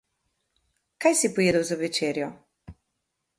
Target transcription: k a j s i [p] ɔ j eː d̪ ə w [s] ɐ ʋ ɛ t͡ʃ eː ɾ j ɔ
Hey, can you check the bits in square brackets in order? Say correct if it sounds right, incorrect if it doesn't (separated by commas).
correct, incorrect